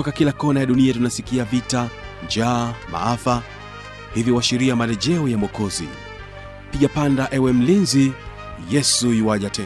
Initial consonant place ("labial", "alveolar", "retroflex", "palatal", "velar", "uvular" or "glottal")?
velar